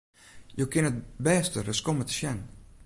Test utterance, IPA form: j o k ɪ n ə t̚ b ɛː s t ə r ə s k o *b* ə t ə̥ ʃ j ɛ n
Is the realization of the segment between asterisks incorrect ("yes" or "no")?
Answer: yes